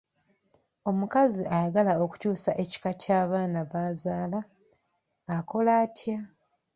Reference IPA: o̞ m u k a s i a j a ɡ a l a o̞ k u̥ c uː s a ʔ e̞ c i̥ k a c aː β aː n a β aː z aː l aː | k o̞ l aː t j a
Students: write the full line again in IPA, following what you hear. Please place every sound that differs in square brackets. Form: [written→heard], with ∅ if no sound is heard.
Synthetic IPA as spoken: o̞ m u k a [s→z] i a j a ɡ a l a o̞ k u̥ c uː s a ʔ e̞ c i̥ k a c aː β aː n a β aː z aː l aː | k o̞ l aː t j a